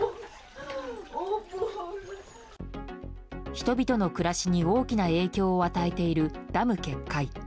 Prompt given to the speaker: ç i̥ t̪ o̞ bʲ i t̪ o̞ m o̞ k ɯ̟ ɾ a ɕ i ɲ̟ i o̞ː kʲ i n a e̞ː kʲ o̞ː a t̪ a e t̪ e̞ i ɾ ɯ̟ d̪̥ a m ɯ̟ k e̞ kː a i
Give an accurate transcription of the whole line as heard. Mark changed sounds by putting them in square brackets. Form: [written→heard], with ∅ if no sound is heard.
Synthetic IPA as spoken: ç i̥ t̪ o̞ bʲ i t̪ o̞ [m→n] o̞ k ɯ̟ ɾ a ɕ i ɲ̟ i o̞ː kʲ i n a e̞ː kʲ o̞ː a t̪ a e t̪ e̞ i ɾ ɯ̟ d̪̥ a m ɯ̟ k e̞ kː a i